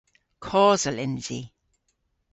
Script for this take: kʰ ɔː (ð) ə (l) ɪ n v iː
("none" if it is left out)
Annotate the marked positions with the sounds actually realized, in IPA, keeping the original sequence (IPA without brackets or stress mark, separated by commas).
z, l